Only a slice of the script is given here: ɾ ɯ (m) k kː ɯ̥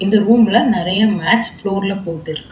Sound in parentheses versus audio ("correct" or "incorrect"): incorrect